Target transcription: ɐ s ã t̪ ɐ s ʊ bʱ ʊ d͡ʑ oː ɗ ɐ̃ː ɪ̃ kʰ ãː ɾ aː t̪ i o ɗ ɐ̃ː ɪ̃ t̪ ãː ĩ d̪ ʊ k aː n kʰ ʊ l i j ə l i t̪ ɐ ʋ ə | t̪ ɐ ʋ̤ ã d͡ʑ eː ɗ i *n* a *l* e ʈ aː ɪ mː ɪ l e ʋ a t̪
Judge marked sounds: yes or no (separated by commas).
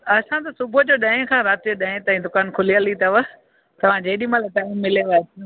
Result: no, yes